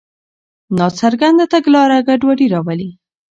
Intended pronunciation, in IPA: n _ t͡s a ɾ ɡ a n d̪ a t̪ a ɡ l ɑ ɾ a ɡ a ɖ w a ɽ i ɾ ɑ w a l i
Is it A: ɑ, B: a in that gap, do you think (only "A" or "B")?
A